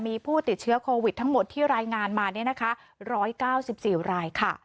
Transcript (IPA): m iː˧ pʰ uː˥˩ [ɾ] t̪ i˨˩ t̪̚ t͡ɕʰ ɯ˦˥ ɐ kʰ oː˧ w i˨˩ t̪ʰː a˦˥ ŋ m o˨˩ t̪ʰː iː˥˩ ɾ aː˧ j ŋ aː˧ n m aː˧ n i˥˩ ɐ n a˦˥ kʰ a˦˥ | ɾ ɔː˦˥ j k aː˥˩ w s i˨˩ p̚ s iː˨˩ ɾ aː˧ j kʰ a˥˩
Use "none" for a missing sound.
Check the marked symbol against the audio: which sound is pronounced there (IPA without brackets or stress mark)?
none